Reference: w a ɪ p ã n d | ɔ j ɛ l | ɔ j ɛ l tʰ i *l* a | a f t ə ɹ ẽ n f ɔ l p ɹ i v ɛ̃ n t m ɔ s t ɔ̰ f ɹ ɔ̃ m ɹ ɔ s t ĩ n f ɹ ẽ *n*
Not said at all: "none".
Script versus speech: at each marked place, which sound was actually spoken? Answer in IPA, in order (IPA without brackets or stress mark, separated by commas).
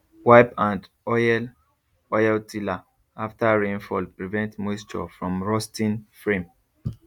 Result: l, m